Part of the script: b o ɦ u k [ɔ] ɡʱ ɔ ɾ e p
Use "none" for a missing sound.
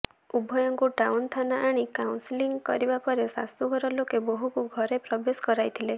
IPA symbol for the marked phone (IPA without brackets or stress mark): u